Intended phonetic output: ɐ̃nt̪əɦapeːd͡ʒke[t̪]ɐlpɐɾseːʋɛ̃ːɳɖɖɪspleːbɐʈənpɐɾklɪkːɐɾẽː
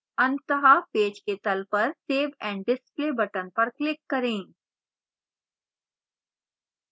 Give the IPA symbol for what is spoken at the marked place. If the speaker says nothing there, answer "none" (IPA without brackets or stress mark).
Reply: t̪